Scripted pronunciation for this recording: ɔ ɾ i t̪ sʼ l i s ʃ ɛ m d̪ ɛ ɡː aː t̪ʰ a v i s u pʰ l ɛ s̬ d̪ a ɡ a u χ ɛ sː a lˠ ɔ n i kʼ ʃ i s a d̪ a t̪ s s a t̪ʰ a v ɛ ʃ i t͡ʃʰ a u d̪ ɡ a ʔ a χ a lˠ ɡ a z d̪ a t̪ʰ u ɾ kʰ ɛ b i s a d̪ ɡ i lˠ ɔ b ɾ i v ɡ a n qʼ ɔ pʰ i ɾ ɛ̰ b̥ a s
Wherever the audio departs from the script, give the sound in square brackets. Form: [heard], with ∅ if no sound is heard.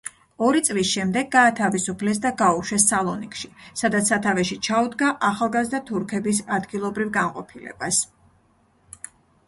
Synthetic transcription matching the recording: ɔ ɾ i t̪ sʼ l i s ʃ ɛ m d̪ ɛ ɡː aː t̪ʰ a v i s u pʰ l ɛ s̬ d̪ a ɡ a u [ʃ] ɛ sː a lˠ ɔ n i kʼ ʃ i s a d̪ a t̪ s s a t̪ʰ a v ɛ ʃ i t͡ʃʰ a u d̪ ɡ a ʔ a χ a lˠ ɡ a z d̪ a t̪ʰ u ɾ kʰ ɛ b i s a d̪ ɡ i lˠ ɔ b ɾ i v ɡ a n qʼ ɔ pʰ i [l] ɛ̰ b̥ a s